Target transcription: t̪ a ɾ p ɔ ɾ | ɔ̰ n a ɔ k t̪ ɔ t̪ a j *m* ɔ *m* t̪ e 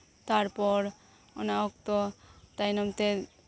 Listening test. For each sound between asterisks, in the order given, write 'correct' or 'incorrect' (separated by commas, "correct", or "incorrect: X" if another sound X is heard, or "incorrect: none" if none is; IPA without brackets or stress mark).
incorrect: n, correct